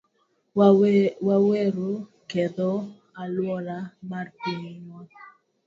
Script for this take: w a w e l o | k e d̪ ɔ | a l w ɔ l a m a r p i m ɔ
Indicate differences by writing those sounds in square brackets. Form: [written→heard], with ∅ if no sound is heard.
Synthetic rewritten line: w a w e [l→ɾ] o | k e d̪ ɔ | a l w ɔ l a m a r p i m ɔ

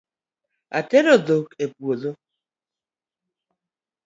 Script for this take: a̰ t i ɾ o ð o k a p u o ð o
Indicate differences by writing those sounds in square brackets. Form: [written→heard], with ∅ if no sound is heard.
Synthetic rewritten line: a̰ t [i→e] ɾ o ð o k [a→e] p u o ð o

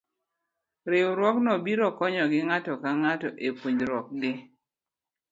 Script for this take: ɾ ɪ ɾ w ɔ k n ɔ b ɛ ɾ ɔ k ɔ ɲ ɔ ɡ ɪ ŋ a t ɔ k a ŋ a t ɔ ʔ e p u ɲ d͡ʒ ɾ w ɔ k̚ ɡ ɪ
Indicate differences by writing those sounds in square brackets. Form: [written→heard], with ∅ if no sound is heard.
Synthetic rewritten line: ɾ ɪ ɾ w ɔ k n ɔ b [ɛ→i] ɾ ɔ k ɔ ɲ ɔ ɡ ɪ ŋ a t ɔ k a ŋ a t ɔ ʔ e p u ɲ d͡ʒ ɾ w ɔ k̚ ɡ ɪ

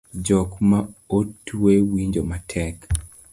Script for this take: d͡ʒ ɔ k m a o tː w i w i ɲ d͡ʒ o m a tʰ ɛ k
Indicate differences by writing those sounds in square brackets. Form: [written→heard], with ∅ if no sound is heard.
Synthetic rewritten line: d͡ʒ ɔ k m a o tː w [i→e] w i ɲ d͡ʒ o m a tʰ ɛ k

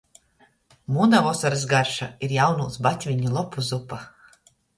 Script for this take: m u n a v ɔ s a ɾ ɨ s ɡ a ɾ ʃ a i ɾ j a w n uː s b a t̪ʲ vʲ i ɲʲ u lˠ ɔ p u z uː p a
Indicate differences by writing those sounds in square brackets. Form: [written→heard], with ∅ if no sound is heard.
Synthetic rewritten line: m u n a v ɔ s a ɾ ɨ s ɡ a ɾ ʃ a i ɾ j a w n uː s b a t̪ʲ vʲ i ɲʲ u lˠ ɔ p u z [uː→u] p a

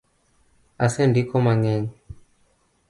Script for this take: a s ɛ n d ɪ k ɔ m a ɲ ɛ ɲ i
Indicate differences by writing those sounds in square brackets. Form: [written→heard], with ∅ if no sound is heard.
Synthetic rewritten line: a s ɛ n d [ɪ→i] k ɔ m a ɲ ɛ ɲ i

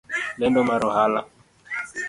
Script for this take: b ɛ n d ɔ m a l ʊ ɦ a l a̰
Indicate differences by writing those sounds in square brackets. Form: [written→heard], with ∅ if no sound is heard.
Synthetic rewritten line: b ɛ n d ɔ m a [l→ɾ] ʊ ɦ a l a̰

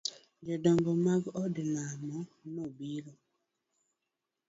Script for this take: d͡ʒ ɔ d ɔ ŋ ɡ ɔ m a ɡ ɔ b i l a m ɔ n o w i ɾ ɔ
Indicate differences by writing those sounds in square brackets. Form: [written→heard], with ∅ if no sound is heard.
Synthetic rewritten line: d͡ʒ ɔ d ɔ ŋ ɡ ɔ m a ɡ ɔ [b→d] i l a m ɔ n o [w→b] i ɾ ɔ

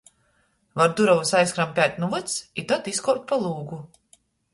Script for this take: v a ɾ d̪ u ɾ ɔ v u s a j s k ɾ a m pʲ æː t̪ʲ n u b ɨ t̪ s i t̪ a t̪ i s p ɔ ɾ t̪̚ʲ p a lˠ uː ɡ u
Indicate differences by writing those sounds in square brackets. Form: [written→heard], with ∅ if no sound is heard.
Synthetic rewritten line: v a ɾ d̪ u ɾ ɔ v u s a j s k ɾ a m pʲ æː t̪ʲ n u [b→v] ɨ t̪ s i t̪ a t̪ i s [p→k] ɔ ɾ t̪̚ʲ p a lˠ uː ɡ u

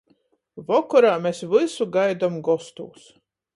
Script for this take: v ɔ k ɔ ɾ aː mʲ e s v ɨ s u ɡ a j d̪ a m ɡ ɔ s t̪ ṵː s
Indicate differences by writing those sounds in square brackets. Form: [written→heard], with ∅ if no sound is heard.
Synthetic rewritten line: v ɔ k ɔ ɾ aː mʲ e s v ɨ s u ɡ a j d̪ a m ɡ ɔ s t̪ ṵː s

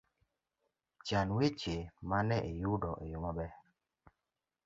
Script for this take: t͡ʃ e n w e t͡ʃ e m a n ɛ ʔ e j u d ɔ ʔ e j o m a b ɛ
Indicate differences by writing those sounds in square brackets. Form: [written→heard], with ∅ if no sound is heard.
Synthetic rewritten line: t͡ʃ [e→a] n w e t͡ʃ e m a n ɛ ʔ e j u d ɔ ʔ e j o m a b ɛ

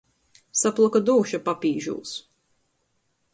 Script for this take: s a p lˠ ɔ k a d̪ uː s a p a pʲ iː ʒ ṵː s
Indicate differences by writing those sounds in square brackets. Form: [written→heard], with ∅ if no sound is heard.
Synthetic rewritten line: s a p lˠ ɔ k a d̪ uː [s→ʃ] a p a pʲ iː ʒ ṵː s

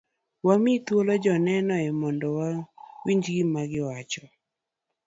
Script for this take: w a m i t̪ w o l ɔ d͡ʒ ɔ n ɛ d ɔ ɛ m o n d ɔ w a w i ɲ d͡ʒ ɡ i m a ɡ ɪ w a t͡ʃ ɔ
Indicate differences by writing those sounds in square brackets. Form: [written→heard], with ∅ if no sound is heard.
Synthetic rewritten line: w a m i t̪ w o l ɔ d͡ʒ ɔ n ɛ [d→n] ɔ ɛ m [o→ɔ] n d ɔ w a w i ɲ d͡ʒ ɡ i m a ɡ ɪ w a t͡ʃ ɔ

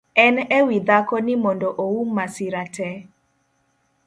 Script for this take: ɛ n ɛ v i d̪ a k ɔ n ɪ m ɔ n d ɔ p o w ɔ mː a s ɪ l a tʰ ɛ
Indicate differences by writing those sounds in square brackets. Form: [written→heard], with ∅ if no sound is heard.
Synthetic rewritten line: ɛ n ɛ [v→w] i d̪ a k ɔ n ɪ m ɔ n d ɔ [p→ʔ] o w [ɔ→u] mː a s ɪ [l→ɾ] a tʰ ɛ

